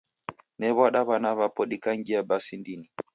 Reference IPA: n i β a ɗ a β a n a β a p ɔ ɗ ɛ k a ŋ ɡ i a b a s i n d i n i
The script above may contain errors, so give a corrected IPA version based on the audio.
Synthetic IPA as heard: n ɛ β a ɗ a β a n a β a p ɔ ɗ i k a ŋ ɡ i a b a s i n d i n i